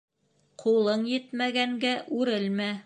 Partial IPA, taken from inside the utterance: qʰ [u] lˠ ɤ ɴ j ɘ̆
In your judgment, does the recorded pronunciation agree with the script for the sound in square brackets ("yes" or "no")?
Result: yes